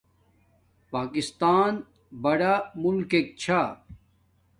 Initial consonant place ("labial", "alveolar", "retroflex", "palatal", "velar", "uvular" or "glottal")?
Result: labial